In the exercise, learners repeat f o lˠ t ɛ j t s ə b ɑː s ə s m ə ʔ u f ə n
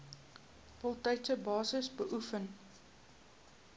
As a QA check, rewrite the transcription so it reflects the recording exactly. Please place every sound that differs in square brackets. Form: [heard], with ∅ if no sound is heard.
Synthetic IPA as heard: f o lˠ t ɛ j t s ə b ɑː s ə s [b] ə ʔ u f ə n